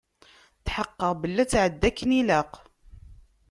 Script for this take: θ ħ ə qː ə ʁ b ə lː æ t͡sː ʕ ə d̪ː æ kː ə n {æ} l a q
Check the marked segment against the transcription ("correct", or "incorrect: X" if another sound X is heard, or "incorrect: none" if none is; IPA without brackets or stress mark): incorrect: i